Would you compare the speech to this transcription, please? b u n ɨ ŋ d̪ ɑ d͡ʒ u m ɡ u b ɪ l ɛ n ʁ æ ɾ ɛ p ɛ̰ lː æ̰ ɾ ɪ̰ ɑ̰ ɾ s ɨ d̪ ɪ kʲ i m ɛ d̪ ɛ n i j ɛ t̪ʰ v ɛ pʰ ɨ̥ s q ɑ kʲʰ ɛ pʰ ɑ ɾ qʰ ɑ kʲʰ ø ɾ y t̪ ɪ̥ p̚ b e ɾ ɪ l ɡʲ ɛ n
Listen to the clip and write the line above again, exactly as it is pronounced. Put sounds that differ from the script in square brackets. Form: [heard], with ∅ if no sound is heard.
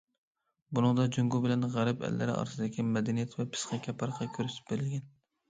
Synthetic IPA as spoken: b u n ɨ ŋ d̪ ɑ d͡ʒ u [ŋ] ɡ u b ɪ l ɛ n ʁ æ ɾ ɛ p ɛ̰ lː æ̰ ɾ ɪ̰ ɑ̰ ɾ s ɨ d̪ ɪ kʲ i m ɛ d̪ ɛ n i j ɛ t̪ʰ v ɛ pʰ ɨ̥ s q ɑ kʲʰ ɛ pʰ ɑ ɾ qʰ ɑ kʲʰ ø ɾ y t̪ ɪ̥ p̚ b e ɾ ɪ l ɡʲ ɛ n